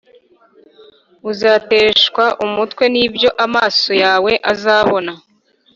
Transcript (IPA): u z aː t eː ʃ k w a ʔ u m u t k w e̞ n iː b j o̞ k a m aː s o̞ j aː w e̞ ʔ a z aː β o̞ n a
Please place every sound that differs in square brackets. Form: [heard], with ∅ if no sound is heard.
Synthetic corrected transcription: u z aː t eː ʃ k w a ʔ u m u t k w e̞ n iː b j o̞ [ʔ] a m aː s o̞ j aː w e̞ ʔ a z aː β o̞ n a